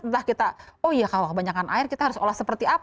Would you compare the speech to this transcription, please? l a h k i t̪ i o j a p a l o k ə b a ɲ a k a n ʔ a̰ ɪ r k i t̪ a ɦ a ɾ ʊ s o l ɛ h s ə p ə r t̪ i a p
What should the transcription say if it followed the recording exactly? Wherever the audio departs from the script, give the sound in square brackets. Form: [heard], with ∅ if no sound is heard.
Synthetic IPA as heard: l a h k i t̪ [a] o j a [k] a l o k ə b a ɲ a k a n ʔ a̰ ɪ r k i t̪ a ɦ a ɾ ʊ s o l [a] h s ə p ə r t̪ i a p